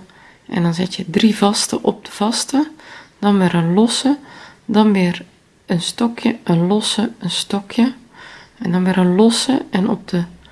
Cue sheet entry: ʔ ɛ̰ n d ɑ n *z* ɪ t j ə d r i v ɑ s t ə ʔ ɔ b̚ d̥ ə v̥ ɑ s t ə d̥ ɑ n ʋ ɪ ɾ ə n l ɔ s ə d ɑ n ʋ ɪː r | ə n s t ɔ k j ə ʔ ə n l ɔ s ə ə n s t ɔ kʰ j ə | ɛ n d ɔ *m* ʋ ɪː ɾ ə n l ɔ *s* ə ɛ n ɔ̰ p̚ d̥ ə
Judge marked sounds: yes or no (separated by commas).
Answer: yes, no, yes